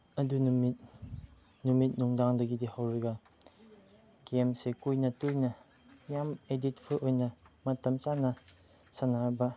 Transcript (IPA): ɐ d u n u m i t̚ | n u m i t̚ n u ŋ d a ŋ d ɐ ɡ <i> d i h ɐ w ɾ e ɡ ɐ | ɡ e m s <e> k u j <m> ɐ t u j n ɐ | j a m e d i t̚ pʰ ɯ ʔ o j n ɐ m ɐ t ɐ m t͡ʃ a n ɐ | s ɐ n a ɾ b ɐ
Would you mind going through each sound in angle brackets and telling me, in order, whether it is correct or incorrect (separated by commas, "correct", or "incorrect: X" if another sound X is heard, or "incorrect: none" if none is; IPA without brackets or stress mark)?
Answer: correct, correct, incorrect: n